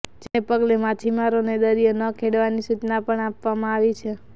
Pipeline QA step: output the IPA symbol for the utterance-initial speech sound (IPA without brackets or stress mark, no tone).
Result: d͡ʒ